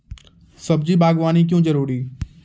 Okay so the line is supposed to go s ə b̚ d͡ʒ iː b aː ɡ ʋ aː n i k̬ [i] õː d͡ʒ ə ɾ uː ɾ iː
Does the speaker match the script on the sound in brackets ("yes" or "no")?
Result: no